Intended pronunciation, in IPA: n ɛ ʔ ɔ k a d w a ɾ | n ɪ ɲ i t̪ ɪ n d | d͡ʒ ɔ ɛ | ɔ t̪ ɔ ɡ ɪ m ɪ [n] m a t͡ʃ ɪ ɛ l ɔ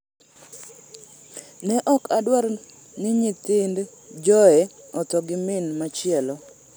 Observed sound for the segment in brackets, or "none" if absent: n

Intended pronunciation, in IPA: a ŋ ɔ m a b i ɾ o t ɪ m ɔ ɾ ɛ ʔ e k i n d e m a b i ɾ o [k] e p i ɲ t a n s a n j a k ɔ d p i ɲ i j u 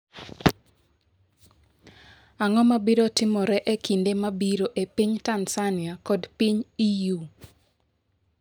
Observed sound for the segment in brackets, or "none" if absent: ʔ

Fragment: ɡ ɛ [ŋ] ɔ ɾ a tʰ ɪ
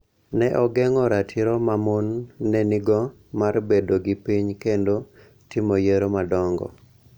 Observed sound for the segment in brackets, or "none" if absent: ŋ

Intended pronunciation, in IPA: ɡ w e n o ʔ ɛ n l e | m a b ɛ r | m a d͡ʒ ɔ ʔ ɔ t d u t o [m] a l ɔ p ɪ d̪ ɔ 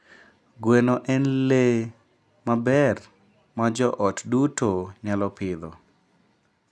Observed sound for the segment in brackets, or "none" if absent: ɲ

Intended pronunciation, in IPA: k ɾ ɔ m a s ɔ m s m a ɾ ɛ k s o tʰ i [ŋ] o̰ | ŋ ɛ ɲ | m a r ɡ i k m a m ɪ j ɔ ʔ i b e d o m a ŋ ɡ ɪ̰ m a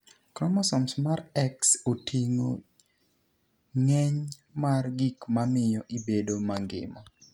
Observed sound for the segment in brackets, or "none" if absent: ŋ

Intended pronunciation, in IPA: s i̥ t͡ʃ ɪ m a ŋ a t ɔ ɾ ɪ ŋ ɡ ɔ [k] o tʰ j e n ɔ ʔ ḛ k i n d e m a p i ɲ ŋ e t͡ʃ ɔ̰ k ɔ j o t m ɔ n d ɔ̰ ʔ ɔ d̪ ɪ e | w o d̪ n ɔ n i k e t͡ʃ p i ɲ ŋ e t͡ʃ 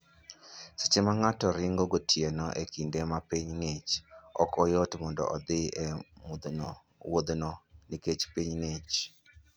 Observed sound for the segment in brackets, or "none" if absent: ɡ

